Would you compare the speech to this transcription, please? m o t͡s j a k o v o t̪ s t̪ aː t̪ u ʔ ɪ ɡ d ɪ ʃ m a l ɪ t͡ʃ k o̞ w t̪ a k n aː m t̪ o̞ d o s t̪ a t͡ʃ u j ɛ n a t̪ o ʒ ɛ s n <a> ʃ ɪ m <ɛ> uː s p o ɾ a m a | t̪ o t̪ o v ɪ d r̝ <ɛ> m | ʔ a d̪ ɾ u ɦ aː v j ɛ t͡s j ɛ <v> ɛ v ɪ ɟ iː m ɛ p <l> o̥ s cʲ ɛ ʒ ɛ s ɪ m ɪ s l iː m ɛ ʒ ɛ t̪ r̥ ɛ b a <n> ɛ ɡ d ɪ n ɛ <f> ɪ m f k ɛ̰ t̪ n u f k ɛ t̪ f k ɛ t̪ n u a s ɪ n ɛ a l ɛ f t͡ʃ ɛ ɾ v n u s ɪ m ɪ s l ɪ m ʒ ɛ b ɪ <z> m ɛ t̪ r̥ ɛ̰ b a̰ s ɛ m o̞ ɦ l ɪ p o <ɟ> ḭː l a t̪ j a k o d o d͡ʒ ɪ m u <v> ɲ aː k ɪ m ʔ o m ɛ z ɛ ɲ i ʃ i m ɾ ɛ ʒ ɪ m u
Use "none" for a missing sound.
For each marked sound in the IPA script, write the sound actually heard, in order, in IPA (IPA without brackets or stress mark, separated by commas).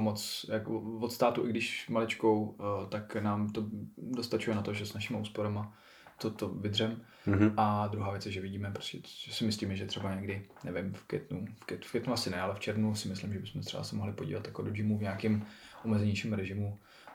a, a, ɛ, ʒ, ɾ, ɲ, v, s, ɟ, v